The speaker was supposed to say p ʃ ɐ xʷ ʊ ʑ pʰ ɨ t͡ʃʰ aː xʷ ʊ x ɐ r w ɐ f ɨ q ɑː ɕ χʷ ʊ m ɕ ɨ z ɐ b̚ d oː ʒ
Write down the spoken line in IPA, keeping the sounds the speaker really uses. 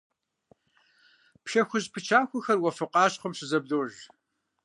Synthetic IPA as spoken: p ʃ ɐ xʷ ʊ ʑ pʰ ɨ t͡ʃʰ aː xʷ ʊ x ɐ r w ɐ f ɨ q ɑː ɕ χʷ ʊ m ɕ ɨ z ɐ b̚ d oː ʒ

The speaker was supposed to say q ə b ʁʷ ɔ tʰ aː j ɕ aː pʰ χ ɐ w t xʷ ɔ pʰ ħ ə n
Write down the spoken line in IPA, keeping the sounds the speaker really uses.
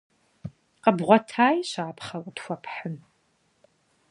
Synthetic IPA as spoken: q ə b ʁʷ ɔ tʰ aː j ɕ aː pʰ χ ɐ w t xʷ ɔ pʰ ħ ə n

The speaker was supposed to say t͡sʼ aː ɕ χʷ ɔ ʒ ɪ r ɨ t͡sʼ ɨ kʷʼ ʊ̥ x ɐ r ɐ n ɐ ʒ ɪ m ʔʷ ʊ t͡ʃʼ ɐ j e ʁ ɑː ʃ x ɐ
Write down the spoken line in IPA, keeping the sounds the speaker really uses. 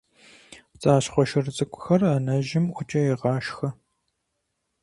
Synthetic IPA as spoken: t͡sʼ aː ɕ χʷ ɔ ʃ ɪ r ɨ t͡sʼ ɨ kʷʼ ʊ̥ x ɐ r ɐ n ɐ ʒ ɪ m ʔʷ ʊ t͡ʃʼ ɐ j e ʁ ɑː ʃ x ɐ

